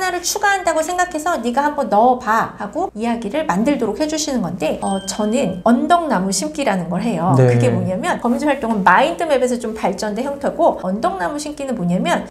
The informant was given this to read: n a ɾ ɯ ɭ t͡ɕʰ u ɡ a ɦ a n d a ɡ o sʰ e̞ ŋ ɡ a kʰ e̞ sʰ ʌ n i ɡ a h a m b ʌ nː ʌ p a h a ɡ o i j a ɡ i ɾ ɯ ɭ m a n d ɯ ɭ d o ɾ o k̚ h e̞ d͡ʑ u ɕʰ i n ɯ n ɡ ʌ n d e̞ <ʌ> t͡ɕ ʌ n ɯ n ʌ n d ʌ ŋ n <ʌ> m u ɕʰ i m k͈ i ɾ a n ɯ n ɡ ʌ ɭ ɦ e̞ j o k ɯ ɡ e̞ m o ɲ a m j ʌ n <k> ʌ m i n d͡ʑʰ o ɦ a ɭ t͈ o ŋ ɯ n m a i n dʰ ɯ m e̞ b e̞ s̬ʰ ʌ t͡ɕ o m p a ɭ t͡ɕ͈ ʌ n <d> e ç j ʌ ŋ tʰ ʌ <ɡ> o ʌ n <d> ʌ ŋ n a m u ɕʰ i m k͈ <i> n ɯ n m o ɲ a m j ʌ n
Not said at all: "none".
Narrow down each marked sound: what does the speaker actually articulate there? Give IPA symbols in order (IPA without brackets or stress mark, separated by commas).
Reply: ʌ, a, k, d, ɡ, d, i